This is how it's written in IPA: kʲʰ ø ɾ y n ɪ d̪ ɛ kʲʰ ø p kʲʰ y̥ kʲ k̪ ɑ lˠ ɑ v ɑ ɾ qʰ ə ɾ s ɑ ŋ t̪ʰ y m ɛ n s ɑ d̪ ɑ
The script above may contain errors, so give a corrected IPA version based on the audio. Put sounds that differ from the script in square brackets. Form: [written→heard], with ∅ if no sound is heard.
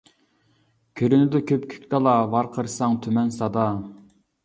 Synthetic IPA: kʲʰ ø ɾ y n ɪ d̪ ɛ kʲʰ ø p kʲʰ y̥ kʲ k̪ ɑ lˠ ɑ v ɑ ɾ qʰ ə ɾ s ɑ ŋ t̪ʰ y m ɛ n s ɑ d̪ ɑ